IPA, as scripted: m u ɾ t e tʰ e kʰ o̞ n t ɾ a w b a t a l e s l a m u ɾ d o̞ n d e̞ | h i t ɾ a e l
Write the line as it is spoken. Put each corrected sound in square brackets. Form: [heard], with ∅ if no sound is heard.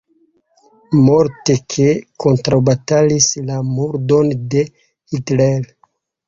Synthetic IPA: m [o] ɾ t e [kʰ] e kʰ o̞ n t ɾ a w b a t a l [i] s l a m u ɾ d o̞ n d e̞ | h i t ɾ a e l